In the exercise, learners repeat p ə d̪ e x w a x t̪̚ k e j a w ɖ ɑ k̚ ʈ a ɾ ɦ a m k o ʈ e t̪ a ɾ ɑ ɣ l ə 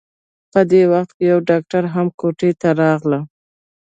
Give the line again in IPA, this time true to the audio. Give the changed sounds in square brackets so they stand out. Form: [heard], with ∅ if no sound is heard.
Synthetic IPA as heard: p ə d̪ e [∅] w a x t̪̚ k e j a w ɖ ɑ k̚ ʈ a ɾ ɦ a m k o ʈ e t̪ a ɾ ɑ ɣ l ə